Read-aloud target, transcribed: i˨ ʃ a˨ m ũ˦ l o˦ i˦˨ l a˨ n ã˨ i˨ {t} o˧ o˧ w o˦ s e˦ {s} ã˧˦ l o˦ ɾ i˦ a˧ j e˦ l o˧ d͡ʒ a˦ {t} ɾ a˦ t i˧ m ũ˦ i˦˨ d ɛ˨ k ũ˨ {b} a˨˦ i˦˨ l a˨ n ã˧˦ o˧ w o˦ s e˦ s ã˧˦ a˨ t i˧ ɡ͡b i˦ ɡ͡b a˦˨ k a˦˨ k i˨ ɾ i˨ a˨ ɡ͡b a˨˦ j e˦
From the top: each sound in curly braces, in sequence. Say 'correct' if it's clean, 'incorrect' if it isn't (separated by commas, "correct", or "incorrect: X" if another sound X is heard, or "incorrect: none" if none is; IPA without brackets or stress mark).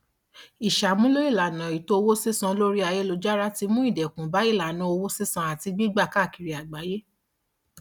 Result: correct, correct, incorrect: none, correct